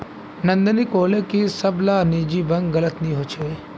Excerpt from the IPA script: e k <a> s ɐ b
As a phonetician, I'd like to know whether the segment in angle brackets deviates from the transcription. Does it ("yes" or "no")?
yes